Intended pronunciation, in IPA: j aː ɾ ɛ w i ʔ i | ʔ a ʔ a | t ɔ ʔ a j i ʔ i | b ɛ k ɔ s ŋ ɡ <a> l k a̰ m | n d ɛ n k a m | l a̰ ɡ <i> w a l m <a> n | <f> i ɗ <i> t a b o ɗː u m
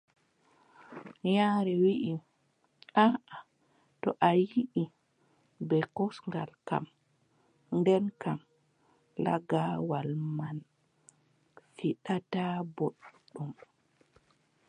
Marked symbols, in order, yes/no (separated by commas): yes, no, yes, yes, no